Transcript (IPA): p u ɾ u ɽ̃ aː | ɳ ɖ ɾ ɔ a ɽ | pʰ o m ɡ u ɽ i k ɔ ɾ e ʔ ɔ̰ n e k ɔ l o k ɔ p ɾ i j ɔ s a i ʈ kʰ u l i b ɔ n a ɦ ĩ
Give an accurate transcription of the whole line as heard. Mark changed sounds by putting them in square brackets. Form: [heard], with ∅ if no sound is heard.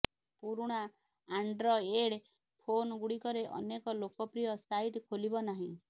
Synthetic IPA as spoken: p u ɾ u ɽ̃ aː | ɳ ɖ ɾ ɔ [e] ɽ | pʰ o [n] ɡ u ɽ i k ɔ ɾ e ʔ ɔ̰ n e k ɔ l o k ɔ p ɾ i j ɔ s a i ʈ kʰ [o] l i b ɔ n a ɦ ĩ